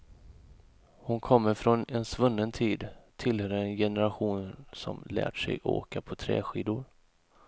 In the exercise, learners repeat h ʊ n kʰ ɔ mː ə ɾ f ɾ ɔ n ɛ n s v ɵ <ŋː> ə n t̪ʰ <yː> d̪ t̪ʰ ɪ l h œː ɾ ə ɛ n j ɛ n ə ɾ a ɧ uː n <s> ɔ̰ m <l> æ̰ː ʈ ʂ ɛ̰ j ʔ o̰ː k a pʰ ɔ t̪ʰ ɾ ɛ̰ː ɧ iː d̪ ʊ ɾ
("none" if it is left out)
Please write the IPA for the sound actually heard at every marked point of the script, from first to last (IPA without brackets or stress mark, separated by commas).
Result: nː, iː, s, l